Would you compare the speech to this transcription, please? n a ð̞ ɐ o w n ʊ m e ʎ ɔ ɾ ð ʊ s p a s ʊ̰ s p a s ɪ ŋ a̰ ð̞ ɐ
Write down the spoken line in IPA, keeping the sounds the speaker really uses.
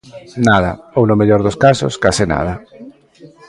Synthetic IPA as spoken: n a ð̞ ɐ o w n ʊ m e ʎ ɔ ɾ ð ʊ s k a s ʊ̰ s k a s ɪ n a̰ ð̞ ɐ